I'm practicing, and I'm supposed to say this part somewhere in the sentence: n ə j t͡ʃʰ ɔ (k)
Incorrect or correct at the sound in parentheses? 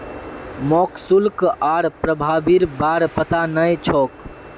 correct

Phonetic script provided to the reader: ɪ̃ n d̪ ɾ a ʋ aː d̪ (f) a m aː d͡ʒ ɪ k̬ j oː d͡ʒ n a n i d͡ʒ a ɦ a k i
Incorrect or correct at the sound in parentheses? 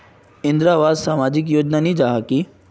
incorrect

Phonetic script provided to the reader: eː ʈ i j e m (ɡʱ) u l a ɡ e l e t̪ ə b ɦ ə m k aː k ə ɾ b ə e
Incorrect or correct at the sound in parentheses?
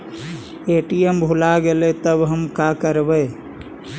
incorrect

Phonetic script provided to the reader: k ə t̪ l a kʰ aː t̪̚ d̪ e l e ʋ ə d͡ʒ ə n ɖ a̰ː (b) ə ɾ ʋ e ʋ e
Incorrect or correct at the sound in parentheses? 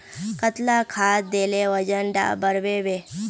correct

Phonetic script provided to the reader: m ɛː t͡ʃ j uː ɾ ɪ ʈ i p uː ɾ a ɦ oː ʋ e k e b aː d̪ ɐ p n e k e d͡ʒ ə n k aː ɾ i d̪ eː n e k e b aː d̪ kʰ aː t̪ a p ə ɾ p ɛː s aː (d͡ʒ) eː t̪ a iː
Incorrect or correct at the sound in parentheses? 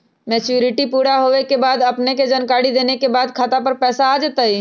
correct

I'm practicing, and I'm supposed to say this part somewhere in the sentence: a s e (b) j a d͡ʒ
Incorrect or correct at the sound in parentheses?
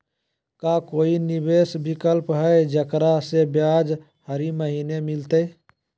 correct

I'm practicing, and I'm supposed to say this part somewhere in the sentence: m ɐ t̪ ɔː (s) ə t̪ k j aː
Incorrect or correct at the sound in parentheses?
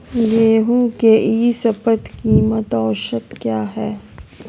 incorrect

